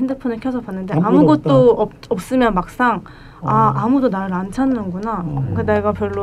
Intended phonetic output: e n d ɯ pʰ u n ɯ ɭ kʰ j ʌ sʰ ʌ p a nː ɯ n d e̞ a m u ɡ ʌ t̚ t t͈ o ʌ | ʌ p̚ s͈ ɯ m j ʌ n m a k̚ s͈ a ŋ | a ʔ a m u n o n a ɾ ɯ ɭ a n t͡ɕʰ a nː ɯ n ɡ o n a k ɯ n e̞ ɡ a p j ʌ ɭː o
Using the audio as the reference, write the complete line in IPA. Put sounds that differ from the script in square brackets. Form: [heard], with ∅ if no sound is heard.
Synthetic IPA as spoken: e n d ɯ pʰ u n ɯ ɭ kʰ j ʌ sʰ ʌ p a nː ɯ n d e̞ a m u ɡ ʌ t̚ t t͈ o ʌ | ʌ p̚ s͈ ɯ m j ʌ n m a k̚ s͈ a ŋ | a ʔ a m u [d] o n a ɾ ɯ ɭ a n t͡ɕʰ a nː ɯ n ɡ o n a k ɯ n e̞ ɡ a p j ʌ ɭː o